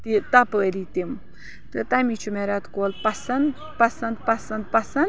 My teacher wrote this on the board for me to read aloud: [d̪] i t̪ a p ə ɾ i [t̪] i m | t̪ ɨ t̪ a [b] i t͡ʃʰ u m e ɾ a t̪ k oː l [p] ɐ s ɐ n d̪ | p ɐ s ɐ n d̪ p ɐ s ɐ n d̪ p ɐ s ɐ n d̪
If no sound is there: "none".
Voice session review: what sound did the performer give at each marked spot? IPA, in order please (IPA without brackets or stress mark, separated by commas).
t̪, t̪, m, p